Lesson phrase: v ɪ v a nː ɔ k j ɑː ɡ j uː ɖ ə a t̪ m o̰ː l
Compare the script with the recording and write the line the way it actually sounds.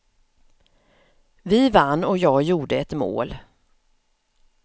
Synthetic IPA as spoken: v ɪ v a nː ɔ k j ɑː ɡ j uː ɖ ə ɛ t̪ m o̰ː l